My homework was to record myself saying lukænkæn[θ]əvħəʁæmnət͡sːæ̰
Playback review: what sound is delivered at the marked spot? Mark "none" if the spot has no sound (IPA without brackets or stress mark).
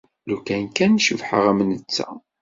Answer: ʃ